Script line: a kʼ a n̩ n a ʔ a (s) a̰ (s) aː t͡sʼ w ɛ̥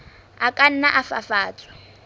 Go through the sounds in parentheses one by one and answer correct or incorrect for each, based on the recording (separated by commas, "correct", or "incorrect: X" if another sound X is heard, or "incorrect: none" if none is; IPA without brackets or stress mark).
incorrect: f, incorrect: f